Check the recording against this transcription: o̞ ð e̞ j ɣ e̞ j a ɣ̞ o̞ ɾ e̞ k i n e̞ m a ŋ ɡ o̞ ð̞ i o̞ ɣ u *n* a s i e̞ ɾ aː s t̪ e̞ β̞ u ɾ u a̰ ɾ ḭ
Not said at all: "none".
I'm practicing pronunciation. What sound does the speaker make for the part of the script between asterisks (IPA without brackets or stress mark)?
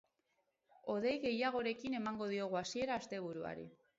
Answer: none